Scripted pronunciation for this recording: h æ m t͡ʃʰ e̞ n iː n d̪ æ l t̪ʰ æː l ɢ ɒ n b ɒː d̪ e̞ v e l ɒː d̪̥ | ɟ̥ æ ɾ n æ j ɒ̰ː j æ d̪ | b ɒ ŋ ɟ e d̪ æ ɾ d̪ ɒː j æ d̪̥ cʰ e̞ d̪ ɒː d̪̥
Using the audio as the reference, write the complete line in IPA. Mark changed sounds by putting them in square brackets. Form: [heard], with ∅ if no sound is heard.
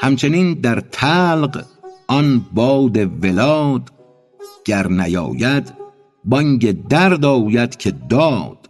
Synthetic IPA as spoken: h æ m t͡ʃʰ e̞ n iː n d̪ æ [ɾ] t̪ʰ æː l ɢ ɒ n b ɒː d̪ e̞ v e l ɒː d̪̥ | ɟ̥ æ ɾ n æ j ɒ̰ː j æ d̪ | b ɒ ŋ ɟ e d̪ æ ɾ d̪ ɒː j æ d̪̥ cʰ e̞ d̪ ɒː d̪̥